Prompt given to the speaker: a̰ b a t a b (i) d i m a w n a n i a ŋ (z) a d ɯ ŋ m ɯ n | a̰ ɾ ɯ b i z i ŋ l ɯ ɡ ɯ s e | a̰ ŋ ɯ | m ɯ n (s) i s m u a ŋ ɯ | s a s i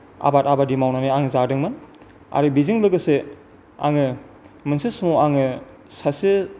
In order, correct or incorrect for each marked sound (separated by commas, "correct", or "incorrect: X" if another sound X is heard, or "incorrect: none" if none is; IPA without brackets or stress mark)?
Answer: incorrect: a, correct, correct